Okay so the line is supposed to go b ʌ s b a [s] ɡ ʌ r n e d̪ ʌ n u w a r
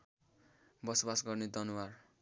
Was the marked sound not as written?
no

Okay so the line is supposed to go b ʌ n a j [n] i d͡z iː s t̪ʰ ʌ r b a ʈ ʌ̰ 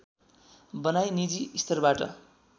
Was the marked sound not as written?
no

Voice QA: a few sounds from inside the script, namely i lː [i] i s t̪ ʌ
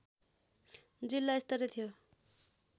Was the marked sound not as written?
yes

